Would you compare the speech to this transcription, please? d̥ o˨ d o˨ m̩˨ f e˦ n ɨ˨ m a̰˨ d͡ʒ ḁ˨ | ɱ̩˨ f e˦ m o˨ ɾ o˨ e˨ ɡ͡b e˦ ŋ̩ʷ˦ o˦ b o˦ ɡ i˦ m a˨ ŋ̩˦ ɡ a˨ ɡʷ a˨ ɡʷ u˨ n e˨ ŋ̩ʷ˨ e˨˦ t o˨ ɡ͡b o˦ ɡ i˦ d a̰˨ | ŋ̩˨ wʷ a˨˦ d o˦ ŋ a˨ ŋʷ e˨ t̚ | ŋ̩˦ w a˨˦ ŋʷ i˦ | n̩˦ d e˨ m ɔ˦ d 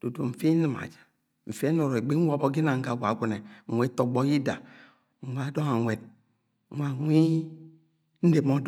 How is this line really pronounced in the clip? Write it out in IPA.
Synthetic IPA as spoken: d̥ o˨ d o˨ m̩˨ f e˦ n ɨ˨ m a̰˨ d͡ʒ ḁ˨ | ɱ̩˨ f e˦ n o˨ ɾ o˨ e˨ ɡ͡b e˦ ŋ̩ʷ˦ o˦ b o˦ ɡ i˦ n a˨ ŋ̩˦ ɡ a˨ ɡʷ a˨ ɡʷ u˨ n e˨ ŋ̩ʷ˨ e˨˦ t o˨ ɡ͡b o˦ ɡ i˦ d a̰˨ | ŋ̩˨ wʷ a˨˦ d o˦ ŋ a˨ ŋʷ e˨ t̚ | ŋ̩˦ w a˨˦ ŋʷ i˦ | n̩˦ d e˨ m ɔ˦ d